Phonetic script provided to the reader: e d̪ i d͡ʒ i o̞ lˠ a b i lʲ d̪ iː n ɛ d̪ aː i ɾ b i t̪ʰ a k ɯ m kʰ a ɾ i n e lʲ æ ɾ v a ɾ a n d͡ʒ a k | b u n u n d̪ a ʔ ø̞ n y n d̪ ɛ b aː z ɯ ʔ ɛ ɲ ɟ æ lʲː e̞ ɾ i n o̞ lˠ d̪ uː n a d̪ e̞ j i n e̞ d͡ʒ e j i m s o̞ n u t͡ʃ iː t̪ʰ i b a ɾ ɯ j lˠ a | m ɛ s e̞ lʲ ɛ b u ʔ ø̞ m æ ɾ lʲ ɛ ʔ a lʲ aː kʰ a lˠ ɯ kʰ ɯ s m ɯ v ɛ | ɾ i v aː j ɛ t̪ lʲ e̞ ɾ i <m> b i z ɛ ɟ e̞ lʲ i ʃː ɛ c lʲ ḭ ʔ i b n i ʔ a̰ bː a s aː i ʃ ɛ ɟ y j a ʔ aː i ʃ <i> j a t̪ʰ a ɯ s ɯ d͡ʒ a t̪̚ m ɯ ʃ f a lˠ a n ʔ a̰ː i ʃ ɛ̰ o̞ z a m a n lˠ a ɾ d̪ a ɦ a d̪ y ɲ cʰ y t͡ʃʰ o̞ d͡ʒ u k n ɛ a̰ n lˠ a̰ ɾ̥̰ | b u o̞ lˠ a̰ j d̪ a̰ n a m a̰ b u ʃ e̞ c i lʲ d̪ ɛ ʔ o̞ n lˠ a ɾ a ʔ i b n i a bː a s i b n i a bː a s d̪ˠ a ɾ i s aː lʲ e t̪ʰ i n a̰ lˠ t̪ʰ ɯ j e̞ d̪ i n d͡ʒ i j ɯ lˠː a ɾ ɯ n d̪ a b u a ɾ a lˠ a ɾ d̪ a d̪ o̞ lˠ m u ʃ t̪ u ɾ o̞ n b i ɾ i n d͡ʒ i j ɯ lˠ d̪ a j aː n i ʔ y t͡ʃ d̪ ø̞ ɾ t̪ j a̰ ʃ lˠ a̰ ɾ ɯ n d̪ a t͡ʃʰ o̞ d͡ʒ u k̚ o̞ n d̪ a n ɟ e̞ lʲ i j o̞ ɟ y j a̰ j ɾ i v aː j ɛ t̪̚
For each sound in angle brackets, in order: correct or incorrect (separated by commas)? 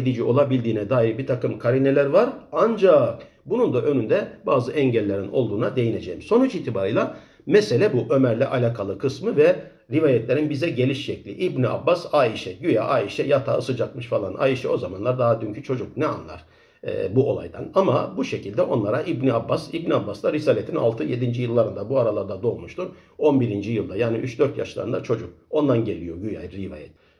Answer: incorrect, incorrect